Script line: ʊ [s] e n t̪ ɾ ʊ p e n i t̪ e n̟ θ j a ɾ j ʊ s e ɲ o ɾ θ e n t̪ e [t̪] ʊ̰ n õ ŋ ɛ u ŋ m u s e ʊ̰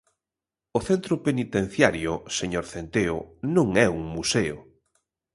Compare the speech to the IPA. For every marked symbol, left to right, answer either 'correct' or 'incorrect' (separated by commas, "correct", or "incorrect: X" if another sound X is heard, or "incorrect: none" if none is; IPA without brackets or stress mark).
incorrect: θ, incorrect: none